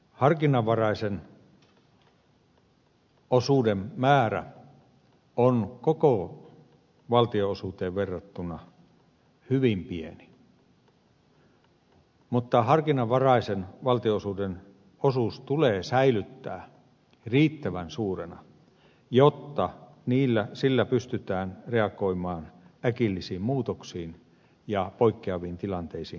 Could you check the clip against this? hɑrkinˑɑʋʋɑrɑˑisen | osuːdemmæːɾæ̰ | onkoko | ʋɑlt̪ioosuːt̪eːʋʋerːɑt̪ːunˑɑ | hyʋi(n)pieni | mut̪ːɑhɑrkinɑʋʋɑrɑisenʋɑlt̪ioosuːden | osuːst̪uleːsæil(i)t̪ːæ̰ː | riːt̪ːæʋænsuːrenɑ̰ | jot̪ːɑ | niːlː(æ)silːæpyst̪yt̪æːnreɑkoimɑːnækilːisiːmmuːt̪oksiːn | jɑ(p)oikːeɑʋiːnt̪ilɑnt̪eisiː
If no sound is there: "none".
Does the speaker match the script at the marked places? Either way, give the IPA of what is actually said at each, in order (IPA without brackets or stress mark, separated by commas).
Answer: m, y, æ, p